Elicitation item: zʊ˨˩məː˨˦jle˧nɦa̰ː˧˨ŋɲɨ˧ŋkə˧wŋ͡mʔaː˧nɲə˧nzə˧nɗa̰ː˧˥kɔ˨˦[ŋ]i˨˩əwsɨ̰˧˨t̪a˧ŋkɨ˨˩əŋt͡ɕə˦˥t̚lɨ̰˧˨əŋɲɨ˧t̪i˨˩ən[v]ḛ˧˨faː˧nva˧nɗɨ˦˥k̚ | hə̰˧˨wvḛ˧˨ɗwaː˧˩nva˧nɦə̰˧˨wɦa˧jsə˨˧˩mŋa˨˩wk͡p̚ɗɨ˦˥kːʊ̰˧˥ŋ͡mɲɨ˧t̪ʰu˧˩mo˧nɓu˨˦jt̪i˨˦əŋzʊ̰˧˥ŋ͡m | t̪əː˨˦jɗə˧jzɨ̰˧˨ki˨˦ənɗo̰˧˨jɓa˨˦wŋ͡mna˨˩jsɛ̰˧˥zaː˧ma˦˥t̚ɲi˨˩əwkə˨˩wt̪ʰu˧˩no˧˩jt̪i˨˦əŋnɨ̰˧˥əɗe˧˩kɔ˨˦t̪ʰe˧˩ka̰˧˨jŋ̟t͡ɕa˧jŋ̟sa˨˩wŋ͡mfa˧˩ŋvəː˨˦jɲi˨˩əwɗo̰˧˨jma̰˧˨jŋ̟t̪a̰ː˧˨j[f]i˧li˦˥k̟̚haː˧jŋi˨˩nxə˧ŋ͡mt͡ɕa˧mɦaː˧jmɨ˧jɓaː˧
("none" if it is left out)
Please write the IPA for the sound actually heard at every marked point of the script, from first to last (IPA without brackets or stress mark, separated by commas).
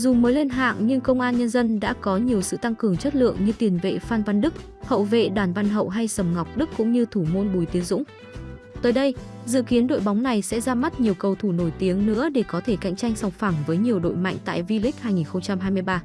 ɲ, v, v